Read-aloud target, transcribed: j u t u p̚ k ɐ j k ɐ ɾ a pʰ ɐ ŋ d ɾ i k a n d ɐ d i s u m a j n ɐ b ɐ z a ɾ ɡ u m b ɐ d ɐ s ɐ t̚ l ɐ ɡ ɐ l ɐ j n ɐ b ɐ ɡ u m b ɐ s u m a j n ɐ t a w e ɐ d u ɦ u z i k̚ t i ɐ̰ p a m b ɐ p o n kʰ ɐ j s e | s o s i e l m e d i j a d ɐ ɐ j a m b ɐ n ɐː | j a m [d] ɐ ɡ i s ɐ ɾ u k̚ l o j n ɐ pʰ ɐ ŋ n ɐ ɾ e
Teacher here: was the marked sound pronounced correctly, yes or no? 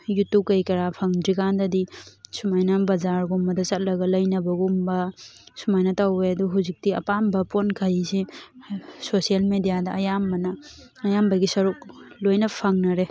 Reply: no